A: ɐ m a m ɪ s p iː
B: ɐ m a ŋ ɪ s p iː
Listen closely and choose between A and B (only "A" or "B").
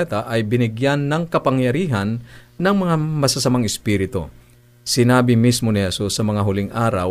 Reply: B